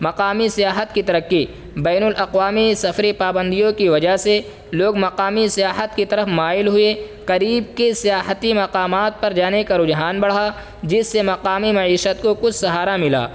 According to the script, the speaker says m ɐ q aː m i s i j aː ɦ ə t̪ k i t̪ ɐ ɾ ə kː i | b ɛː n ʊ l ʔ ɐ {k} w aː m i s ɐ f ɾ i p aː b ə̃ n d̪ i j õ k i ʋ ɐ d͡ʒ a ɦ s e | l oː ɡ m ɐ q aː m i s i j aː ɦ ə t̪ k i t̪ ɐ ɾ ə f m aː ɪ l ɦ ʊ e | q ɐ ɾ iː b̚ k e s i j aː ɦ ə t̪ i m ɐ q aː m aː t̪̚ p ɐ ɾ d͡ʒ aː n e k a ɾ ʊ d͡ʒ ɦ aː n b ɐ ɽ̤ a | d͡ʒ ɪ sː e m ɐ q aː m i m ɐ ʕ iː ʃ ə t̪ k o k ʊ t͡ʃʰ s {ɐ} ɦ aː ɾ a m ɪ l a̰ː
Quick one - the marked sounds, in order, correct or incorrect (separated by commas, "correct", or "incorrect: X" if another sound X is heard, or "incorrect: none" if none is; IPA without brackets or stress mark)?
incorrect: q, correct